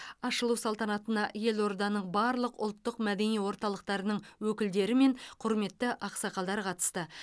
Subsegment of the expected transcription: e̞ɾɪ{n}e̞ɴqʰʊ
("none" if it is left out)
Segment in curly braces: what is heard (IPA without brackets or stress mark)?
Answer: m